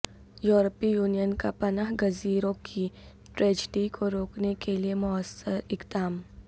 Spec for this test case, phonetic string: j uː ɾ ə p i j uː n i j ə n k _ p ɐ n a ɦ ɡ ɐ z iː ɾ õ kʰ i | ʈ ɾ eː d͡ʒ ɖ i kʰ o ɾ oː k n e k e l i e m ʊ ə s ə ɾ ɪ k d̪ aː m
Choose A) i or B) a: B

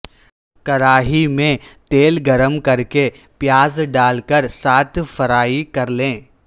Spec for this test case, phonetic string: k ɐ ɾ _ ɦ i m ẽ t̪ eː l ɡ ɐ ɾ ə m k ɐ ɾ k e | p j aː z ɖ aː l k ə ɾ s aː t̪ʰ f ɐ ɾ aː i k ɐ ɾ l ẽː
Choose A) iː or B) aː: B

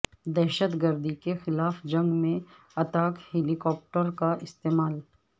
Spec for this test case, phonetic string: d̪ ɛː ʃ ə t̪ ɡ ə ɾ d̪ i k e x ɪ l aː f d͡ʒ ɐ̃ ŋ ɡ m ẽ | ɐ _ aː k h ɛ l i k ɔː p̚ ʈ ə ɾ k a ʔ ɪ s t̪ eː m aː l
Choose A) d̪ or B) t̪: B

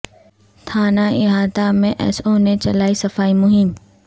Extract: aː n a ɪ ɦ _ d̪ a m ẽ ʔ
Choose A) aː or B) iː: A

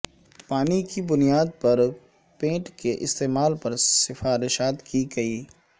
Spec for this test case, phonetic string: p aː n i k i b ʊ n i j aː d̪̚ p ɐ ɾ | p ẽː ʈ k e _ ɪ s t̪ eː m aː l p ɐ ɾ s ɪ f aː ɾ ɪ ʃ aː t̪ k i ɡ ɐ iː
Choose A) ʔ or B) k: A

